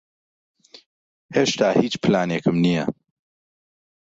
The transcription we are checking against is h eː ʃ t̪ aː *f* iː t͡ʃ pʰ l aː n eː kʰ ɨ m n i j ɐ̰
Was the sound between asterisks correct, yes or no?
no